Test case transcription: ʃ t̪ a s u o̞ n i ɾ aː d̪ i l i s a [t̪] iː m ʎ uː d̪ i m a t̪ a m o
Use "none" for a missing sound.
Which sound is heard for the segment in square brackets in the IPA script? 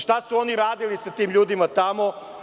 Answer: t̪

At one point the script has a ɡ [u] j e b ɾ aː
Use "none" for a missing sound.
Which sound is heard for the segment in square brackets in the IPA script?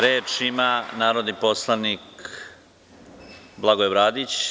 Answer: o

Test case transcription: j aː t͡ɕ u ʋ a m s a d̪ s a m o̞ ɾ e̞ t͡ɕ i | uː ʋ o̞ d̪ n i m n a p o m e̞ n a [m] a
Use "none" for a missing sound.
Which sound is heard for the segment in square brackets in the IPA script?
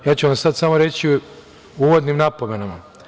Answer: m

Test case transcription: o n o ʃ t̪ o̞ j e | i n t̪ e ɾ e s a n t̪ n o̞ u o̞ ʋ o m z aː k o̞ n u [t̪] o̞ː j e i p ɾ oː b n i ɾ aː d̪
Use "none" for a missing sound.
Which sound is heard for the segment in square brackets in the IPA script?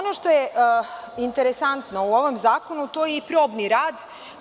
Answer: t̪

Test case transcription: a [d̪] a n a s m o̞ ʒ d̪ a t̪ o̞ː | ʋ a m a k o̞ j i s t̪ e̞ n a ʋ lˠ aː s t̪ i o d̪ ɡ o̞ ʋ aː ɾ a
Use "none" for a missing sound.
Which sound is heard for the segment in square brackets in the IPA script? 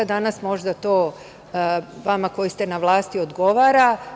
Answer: d̪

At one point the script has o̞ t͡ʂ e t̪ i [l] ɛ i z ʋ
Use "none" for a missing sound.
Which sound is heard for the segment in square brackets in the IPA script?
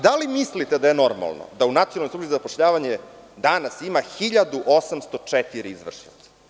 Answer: ɾ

